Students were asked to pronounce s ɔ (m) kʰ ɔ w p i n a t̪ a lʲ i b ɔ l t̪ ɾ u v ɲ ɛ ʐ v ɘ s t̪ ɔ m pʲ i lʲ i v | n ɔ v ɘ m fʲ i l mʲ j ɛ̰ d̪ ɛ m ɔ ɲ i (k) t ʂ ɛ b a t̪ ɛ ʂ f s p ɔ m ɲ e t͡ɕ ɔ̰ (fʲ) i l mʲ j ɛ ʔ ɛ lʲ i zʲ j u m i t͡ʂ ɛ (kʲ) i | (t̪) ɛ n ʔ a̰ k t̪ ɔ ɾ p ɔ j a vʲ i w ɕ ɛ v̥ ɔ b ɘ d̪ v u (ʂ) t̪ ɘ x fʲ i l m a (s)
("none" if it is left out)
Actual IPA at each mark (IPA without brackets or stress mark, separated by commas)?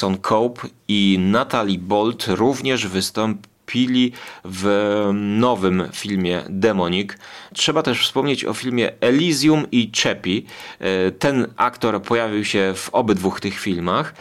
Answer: n, k, fʲ, pʲ, t̪, x, x